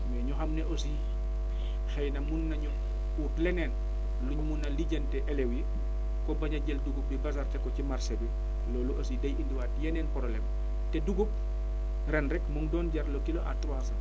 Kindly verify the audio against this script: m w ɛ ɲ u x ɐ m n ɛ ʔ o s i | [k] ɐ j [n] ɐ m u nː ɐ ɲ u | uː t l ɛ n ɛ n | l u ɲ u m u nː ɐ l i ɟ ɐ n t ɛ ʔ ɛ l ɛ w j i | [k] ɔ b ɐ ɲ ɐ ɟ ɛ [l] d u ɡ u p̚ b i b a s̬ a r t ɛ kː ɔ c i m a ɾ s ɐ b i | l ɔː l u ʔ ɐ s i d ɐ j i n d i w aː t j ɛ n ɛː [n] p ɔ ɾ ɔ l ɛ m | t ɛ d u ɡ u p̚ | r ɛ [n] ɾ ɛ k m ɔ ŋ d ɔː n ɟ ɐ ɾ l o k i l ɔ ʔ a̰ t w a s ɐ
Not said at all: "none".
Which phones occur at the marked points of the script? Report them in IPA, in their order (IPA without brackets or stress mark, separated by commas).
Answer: x, n, k, l, n, n